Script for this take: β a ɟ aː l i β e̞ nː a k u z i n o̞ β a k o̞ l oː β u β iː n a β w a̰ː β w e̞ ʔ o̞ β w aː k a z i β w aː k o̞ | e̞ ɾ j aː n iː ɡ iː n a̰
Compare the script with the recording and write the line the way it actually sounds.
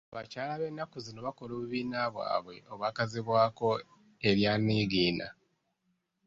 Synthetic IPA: β a c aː l a β e̞ nː a k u z i n o̞ β a k o̞ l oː β u β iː n a β w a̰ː β w e̞ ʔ o̞ β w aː k a z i β w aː k o̞ | e̞ ɾ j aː n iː ɡ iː n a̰